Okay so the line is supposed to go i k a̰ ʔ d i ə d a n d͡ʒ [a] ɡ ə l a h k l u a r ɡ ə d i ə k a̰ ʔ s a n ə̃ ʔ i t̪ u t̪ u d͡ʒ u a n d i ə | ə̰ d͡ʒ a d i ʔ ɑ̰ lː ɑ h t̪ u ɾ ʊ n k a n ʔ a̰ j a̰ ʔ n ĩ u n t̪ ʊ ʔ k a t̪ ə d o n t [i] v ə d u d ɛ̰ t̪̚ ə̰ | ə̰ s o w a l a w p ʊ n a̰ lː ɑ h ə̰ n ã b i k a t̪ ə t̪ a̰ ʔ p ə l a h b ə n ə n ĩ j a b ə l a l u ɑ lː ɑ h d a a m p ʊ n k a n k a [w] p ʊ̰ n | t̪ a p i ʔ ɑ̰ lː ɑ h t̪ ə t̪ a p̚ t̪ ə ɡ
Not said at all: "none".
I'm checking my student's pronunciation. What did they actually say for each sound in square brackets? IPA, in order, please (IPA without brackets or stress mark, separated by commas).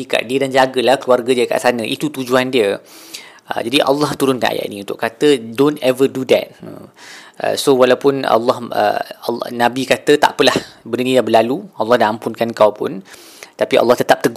a, ɛ, w